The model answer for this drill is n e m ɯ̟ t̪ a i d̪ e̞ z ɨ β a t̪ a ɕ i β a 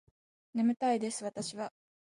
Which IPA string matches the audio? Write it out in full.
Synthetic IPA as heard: n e m ɯ̟ t̪ a i d̪ e̞ s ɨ β a t̪ a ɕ i β a